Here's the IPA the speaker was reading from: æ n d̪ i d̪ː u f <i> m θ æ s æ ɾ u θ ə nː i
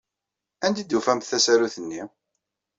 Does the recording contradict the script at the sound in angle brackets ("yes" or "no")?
yes